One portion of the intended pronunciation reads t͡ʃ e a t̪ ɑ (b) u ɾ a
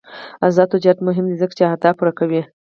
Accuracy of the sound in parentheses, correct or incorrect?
incorrect